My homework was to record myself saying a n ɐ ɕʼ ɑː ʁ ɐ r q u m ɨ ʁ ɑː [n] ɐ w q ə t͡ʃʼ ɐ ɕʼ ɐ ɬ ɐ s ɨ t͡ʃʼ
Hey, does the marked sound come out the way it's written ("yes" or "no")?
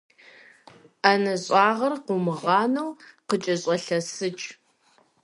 yes